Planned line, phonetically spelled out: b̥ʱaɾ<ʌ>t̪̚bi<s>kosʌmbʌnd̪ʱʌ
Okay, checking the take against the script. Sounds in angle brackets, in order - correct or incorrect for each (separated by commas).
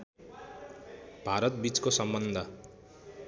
correct, incorrect